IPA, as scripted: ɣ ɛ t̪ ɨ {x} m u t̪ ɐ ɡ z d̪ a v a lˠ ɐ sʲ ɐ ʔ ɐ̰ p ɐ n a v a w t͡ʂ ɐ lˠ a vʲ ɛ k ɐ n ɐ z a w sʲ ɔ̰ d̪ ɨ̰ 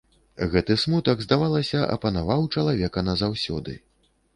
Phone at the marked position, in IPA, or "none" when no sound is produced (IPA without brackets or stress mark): s